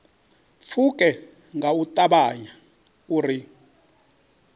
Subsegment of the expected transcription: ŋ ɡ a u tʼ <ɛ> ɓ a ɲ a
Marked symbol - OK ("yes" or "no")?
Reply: no